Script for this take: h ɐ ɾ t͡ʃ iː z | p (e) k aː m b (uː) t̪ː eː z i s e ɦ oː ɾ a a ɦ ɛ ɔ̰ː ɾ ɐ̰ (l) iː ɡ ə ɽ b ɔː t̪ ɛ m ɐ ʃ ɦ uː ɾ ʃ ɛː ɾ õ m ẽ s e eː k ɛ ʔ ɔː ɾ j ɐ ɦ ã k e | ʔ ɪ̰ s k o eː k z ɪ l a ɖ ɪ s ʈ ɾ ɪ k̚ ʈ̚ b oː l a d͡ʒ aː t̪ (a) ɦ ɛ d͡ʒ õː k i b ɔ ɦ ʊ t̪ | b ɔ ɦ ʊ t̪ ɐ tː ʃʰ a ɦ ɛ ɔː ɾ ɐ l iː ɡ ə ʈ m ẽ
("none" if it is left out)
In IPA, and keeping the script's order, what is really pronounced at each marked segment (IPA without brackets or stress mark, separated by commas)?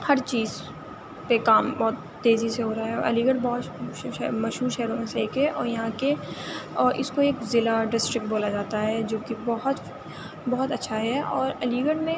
e, ɔː, l, a